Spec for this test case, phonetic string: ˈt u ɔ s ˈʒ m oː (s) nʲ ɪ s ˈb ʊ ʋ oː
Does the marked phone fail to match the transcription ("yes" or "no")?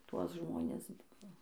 yes